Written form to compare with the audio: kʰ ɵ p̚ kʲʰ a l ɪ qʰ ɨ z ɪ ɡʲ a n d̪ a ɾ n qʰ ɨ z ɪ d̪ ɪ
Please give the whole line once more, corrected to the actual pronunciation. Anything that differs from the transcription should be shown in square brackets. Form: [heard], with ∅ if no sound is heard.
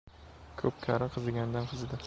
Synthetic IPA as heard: kʰ ɵ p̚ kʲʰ a [ɾ] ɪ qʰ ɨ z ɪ ɡʲ a n d̪ a [∅] n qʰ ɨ z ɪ d̪ ɪ